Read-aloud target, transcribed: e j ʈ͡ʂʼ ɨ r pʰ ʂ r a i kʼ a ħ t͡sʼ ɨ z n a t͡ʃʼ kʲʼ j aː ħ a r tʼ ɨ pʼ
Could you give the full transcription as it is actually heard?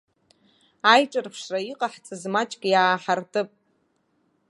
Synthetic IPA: a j ʈ͡ʂʼ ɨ r pʰ ʂ r a i qʼ a ħ t͡sʼ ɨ z m a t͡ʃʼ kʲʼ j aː ħ a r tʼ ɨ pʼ